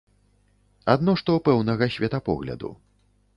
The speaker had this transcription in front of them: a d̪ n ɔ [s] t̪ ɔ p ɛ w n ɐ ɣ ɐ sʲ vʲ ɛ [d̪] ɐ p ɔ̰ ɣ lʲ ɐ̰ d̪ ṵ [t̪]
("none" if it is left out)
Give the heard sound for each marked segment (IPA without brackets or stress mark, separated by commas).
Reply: ʂ, t̪, none